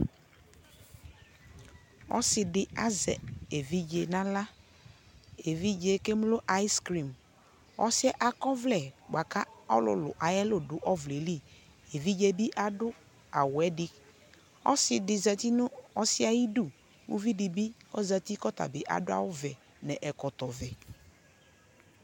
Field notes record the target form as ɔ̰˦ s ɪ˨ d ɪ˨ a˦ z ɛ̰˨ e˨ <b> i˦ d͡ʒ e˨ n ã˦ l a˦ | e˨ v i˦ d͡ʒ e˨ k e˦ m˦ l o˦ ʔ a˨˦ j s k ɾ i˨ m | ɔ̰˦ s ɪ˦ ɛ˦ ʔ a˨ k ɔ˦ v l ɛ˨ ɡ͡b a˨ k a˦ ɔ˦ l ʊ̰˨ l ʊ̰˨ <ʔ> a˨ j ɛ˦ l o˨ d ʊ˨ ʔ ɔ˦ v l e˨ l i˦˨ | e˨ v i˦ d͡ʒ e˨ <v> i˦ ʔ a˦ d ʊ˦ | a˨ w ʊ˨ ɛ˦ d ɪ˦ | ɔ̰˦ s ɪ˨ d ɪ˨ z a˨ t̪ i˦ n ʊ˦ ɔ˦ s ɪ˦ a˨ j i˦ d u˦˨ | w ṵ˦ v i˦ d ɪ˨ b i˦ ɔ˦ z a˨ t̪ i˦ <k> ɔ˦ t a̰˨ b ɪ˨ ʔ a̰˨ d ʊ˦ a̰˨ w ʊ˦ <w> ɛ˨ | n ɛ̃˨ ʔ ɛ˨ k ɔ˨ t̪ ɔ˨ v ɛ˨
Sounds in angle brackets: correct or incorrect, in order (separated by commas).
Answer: incorrect, correct, incorrect, correct, incorrect